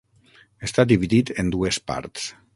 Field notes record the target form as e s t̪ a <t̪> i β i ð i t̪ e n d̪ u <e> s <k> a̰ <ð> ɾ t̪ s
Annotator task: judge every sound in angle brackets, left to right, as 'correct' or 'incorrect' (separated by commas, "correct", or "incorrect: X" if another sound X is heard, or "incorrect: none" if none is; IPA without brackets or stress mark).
incorrect: d̪, correct, incorrect: p, incorrect: none